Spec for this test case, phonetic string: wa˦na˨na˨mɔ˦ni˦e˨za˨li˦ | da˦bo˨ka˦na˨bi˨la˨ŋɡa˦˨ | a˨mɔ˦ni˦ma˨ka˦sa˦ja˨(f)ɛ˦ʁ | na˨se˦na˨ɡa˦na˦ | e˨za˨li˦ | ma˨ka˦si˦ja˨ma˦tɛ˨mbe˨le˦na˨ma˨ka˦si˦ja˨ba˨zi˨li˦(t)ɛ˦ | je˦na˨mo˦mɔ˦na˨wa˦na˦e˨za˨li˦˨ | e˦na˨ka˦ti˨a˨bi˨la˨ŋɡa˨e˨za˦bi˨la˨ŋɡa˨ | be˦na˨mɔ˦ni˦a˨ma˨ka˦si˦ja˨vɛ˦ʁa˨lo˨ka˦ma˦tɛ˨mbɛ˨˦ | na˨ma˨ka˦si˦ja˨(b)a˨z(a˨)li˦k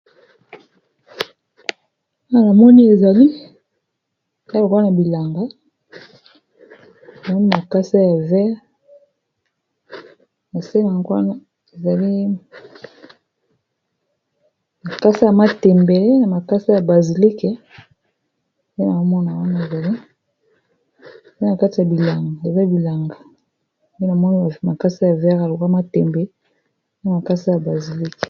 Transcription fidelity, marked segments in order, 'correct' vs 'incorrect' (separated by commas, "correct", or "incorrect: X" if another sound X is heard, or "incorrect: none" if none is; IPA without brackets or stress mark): incorrect: v, incorrect: k, correct, incorrect: i˨